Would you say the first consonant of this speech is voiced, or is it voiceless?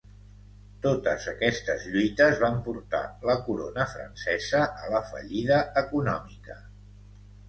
voiceless